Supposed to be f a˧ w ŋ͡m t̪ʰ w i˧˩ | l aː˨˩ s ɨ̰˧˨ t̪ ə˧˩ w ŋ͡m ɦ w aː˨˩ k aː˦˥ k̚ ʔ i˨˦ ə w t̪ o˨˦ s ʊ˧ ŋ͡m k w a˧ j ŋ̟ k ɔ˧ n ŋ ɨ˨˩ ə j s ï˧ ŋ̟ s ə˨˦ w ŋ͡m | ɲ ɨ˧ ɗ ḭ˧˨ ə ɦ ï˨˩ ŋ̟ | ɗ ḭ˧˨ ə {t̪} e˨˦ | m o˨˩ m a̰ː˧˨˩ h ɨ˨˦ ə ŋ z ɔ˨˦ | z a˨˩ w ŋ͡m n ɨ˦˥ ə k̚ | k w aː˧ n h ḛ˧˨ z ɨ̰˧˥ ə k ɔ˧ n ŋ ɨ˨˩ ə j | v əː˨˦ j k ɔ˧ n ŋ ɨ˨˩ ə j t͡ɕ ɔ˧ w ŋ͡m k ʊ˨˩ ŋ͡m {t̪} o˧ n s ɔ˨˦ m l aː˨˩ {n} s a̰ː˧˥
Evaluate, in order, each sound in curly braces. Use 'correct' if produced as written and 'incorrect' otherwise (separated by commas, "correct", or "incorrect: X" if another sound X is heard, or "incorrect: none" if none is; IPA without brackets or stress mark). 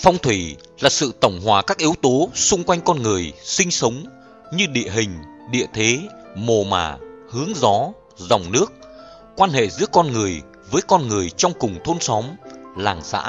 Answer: incorrect: t̪ʰ, incorrect: t̪ʰ, incorrect: ŋ